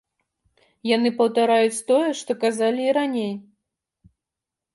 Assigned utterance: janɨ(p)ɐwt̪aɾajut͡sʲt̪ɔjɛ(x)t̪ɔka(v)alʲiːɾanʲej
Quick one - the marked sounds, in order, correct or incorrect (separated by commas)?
correct, incorrect, incorrect